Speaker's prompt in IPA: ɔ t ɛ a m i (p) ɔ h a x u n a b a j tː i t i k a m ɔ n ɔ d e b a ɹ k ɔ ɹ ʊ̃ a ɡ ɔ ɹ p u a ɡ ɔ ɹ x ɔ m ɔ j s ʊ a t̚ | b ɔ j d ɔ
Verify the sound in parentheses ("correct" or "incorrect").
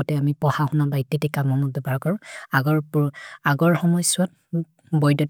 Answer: correct